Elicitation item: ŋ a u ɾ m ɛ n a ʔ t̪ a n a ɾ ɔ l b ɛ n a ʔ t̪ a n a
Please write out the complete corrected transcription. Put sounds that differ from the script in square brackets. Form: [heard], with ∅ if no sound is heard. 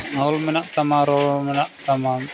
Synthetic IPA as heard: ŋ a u [l] m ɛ n a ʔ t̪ a [m] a ɾ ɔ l [m] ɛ n a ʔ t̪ a [m] a